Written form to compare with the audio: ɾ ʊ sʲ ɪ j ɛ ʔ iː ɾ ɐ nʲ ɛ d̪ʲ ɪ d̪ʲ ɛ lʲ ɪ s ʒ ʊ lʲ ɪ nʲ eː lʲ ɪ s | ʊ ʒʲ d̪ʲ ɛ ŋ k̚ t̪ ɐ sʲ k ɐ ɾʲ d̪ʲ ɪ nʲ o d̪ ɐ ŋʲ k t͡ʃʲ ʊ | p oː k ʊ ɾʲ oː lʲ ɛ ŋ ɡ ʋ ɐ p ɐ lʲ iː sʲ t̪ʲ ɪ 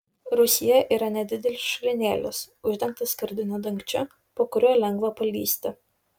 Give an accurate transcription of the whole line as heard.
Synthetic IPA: ɾ ʊ sʲ ɪ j ɛ ʔ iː ɾ ɐ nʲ ɛ d̪ʲ ɪ d̪ʲ ɛ lʲ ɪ s ʃ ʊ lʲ ɪ nʲ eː lʲ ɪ s | ʊ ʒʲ d̪ʲ ɛ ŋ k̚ t̪ ɐ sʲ k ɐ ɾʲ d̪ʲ ɪ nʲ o d̪ ɐ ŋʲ k t͡ʃʲ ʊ | p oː k ʊ ɾʲ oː lʲ ɛ ŋ ɡ ʋ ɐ p ɐ lʲ iː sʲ t̪ʲ ɪ